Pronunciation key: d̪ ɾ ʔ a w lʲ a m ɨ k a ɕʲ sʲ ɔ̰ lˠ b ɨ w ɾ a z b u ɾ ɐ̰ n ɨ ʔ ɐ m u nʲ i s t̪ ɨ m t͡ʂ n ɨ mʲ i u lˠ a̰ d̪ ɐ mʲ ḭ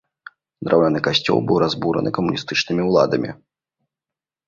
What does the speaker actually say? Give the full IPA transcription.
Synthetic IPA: d̪ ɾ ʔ a w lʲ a n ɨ k a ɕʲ t͡sʲ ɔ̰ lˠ b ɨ w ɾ a z b u ɾ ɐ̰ n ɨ k ɐ m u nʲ i s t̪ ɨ t͡ʂ n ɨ mʲ i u lˠ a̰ d̪ ɐ mʲ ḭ